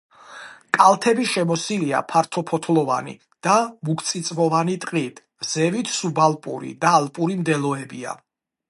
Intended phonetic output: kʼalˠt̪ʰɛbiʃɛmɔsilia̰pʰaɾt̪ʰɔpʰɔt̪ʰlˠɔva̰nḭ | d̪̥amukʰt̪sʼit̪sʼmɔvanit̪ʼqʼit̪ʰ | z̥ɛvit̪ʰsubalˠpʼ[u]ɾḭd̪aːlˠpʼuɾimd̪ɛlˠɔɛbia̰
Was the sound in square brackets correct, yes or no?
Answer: yes